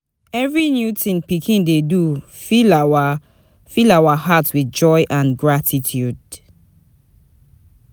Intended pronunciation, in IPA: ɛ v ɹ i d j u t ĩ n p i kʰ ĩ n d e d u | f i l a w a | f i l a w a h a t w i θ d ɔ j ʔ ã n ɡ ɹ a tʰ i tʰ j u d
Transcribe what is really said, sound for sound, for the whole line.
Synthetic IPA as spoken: ɛ v ɹ i n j u t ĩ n p i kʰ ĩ n d e d u | f i l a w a | f i l a w a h a t w i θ d͡ʒ ɔ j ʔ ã n ɡ ɹ a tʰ i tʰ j u d